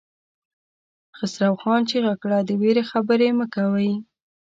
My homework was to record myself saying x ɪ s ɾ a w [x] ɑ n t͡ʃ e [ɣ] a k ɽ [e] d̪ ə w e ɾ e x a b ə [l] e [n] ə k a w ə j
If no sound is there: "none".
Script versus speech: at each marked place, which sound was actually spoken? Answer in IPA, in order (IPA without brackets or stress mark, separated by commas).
x, ɣ, a, ɾ, m